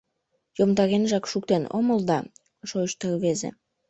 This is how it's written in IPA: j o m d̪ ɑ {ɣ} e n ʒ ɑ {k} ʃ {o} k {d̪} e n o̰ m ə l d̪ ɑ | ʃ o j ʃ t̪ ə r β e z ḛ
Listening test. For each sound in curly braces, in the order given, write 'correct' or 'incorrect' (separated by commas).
correct, correct, incorrect, incorrect